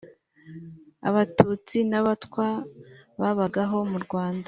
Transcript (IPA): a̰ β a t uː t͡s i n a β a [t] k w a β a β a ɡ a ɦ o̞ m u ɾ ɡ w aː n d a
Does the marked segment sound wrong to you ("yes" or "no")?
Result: no